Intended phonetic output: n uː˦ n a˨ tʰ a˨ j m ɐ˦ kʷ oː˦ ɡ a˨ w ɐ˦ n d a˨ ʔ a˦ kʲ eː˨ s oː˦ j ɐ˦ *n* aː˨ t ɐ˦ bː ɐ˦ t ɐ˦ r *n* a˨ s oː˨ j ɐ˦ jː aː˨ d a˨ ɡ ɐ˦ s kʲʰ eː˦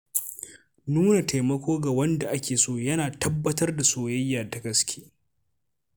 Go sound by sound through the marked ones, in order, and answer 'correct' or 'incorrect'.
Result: correct, incorrect: d

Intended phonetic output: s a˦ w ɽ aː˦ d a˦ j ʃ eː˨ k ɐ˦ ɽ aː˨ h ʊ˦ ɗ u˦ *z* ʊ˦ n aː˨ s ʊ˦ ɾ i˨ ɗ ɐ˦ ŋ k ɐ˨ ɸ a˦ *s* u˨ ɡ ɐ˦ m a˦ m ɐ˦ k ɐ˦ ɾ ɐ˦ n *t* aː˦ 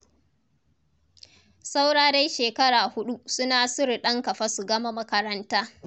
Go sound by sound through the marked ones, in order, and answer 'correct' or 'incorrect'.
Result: incorrect: s, correct, correct

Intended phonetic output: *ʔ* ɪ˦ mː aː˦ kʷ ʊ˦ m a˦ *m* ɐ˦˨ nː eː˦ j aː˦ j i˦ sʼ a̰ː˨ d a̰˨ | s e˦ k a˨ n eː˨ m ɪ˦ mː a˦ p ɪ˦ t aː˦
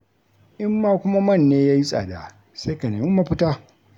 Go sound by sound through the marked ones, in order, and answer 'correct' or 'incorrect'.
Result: correct, correct

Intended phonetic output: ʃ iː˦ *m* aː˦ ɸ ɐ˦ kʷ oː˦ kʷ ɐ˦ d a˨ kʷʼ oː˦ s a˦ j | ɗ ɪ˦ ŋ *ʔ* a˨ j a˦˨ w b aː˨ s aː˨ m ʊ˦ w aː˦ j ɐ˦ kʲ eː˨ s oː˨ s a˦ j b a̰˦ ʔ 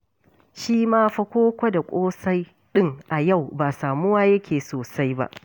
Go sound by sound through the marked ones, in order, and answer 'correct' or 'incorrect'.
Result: correct, correct

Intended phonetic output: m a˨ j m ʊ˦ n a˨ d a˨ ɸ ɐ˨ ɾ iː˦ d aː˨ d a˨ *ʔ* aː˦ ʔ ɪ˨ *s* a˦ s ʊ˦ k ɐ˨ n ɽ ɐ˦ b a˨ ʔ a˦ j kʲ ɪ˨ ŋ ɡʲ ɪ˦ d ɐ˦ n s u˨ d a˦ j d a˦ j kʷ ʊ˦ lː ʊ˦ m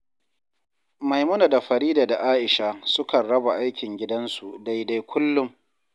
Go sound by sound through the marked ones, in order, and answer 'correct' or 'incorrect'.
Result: correct, incorrect: ʃ

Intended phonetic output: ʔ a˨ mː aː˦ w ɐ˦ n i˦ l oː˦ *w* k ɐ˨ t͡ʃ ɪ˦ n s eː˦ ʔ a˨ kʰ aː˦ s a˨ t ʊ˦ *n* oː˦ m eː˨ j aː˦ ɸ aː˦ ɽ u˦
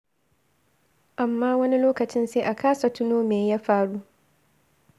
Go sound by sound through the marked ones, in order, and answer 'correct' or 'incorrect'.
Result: incorrect: none, correct

